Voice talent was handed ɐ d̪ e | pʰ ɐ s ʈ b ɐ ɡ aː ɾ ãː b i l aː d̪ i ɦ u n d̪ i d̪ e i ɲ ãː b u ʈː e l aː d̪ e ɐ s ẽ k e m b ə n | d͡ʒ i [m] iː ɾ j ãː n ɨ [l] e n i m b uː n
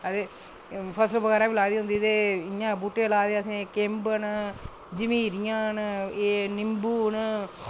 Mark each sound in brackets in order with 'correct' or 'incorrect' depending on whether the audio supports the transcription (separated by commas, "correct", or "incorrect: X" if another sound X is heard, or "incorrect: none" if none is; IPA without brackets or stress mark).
correct, incorrect: none